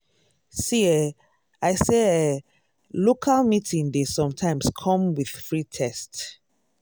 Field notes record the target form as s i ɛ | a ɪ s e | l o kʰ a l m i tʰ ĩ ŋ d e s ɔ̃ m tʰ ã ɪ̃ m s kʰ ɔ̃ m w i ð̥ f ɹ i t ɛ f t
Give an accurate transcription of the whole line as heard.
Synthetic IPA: s i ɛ | a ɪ s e | l o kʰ a l m i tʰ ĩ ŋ d e s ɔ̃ m tʰ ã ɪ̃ m s kʰ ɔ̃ m w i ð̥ f ɹ i tʰ ɛ s t

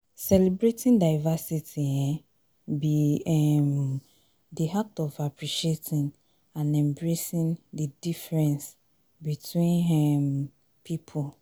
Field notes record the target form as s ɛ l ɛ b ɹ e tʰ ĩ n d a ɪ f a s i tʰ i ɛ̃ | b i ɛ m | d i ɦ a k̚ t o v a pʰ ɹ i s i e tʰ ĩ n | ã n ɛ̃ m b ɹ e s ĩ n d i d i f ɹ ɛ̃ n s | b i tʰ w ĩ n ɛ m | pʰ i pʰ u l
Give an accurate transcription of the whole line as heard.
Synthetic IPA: s ɛ l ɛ b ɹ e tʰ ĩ n d a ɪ v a s i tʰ i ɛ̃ | b i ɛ m | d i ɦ a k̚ t ɔ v a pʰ ɹ i ʃ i e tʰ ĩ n | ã n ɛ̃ m b ɹ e s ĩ n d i d i f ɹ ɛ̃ n s | b i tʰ w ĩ n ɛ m | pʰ i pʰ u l

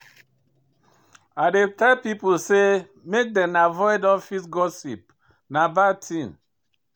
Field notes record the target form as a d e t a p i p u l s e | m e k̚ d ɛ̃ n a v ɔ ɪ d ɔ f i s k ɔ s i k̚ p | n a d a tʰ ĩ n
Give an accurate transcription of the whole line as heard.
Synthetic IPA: a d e t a p i p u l s e | m e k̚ d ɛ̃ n a v ɔ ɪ d ɔ f i s ɡ ɔ s i p | n a b a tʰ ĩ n

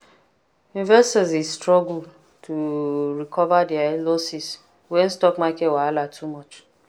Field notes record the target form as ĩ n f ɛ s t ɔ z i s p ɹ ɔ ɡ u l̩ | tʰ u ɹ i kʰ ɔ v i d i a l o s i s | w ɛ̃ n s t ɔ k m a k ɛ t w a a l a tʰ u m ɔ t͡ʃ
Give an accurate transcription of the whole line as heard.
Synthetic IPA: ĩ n v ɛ s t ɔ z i s t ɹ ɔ ɡ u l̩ | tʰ u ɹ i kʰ ɔ v a d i a l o s i s | w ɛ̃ n s t ɔ k m a k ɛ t w a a l a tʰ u m ɔ t͡ʃ

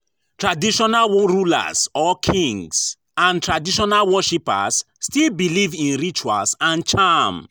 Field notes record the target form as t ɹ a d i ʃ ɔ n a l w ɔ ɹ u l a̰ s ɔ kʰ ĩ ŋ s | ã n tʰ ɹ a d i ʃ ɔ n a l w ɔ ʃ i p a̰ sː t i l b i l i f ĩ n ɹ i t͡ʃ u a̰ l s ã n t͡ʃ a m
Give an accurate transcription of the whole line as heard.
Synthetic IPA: t ɹ a d i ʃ ɔ n a l w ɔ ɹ u l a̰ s ɔ kʰ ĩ ŋ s | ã n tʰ ɹ a d i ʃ ɔ n a l w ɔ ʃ i p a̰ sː t i l b i l i v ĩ n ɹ i t͡ʃ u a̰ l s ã n t͡ʃ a m

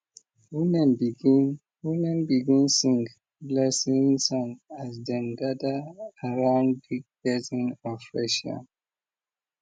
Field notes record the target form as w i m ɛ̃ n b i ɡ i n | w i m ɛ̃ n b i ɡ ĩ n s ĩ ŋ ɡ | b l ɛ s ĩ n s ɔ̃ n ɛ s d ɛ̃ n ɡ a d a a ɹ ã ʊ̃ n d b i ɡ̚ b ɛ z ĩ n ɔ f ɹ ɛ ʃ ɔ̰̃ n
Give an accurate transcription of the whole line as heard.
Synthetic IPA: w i m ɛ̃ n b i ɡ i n | w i m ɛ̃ n b i ɡ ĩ n s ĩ ŋ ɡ | b l ɛ s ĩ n s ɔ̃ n a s d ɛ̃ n ɡ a d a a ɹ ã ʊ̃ n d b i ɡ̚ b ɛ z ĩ n ɔ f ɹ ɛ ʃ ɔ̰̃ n

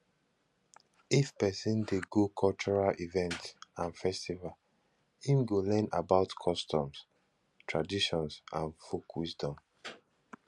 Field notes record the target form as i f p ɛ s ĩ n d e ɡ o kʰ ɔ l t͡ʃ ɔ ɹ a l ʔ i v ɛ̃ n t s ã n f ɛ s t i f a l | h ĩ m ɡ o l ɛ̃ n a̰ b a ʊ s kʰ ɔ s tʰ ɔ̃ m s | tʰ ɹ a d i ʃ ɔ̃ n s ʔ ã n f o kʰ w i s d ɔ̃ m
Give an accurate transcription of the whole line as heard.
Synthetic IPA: i f p ɛ s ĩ n d e ɡ o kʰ ɔ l t͡ʃ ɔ ɹ a l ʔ i v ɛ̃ n t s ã n f ɛ s t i v a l | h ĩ m ɡ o l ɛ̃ n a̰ b a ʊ t kʰ ɔ s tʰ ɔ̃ m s | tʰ ɹ a d i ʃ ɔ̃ n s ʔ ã n f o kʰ w i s d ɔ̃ m

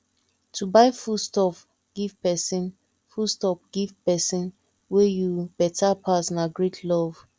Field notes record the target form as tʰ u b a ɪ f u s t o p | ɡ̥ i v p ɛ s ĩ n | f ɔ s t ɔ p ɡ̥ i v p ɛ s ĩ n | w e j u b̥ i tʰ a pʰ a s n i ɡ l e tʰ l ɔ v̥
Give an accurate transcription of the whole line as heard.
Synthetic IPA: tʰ u b a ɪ f u s t ɔ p | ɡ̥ i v p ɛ s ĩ n | f u s t ɔ p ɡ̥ i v p ɛ s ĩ n | w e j u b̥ ɛ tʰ a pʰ a s n a ɡ ɹ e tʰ l ɔ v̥

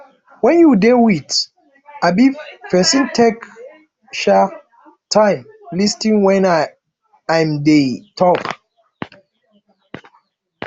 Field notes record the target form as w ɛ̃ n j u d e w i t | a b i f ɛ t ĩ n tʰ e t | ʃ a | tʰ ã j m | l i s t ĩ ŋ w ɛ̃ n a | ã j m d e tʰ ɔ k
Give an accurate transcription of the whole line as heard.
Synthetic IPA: w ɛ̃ n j u d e w i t | a b i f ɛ s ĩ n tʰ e k | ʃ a | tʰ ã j m | l i s t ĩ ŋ w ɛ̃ n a | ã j m d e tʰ ɔ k

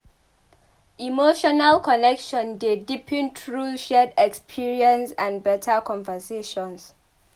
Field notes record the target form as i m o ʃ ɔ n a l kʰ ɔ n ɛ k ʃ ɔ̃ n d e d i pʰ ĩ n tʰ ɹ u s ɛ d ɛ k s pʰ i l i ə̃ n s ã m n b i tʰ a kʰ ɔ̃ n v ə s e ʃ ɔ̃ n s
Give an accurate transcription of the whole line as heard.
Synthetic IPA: i m o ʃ ɔ n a l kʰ ɔ n ɛ k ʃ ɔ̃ n d e d i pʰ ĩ n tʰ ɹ u ʃ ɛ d ɛ k s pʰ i ɹ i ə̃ n s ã n b ɛ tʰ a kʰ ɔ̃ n v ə s e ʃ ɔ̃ n s

